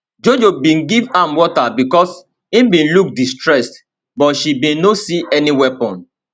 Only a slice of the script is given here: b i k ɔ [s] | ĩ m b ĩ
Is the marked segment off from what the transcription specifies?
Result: no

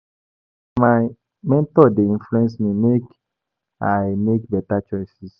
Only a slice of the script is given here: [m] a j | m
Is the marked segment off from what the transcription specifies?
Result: no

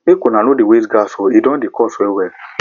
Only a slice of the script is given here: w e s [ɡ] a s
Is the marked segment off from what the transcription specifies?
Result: no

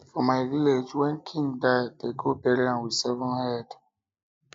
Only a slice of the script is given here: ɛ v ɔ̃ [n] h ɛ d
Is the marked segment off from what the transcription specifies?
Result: no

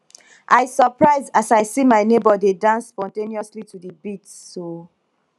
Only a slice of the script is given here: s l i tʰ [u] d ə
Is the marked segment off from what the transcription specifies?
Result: no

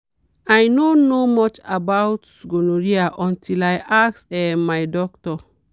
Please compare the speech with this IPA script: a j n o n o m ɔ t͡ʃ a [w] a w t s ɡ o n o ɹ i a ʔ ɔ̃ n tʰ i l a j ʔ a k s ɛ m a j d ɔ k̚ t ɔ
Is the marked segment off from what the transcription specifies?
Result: yes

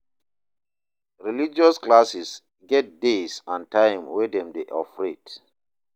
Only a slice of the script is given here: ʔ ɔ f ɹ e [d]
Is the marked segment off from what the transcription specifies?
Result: yes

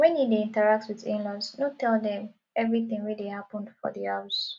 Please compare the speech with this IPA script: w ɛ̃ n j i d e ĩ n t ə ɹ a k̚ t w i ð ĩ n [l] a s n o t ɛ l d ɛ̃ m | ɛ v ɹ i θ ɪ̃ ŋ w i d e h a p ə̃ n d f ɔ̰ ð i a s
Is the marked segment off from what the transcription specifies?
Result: no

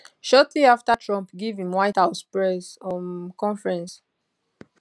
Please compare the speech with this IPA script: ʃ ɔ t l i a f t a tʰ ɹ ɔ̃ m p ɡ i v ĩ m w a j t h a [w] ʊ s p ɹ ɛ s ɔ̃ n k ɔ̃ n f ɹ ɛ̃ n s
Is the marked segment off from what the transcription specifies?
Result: yes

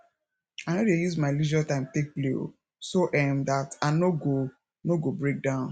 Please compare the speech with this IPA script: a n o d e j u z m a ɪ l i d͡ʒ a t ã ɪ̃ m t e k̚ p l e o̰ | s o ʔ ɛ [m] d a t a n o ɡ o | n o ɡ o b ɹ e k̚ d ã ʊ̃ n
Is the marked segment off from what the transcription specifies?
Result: no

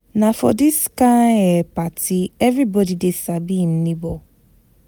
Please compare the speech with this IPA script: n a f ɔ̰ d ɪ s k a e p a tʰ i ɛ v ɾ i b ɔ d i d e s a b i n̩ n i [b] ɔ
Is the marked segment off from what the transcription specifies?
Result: no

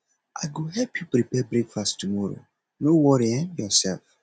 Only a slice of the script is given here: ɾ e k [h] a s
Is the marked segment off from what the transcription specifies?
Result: yes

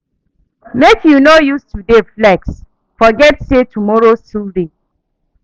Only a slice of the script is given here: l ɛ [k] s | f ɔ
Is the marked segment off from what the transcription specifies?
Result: no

